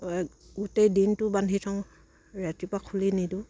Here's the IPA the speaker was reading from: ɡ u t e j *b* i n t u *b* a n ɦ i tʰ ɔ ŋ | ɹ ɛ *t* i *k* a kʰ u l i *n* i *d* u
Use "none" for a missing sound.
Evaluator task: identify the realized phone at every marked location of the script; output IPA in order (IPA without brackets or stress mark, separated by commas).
d, b, t, p, n, d